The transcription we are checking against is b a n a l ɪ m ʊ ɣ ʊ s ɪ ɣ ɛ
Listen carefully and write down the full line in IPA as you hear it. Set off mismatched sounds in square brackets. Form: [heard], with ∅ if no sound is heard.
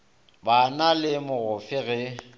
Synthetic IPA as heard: b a n a l ɪ m ʊ ɣ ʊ [f] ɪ ɣ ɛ